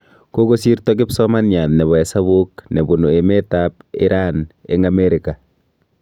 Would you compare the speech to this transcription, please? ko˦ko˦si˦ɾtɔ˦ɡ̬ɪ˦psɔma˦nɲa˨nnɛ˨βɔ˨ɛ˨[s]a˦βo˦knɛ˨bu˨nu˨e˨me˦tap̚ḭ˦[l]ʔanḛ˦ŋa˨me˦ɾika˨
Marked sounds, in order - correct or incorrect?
correct, incorrect: ɾ

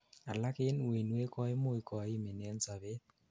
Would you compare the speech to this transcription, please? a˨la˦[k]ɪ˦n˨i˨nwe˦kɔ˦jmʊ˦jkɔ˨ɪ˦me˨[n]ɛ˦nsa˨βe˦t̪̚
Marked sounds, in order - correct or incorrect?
correct, correct

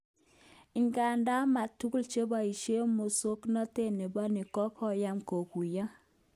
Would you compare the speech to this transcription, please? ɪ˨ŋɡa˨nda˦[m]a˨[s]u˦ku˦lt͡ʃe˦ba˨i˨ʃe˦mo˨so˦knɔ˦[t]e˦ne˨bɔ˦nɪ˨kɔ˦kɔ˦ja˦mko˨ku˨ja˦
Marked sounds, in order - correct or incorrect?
correct, incorrect: t, correct

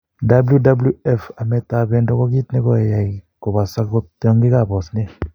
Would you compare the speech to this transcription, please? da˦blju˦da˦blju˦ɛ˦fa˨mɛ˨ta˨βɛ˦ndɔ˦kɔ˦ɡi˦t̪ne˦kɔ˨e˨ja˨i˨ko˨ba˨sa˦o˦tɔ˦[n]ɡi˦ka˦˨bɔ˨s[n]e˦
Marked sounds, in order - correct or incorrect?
incorrect: ŋ, correct

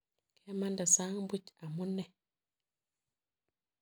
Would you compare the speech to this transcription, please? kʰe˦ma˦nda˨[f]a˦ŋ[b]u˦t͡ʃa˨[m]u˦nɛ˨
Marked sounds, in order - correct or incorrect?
incorrect: s, correct, correct

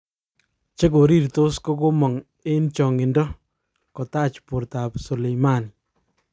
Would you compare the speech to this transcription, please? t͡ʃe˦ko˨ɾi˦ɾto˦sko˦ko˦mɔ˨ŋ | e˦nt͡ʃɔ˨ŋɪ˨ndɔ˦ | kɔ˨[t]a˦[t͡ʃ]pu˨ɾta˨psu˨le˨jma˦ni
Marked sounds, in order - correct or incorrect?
correct, correct

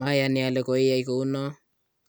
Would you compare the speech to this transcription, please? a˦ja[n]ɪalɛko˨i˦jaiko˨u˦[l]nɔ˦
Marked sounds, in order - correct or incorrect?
correct, incorrect: none

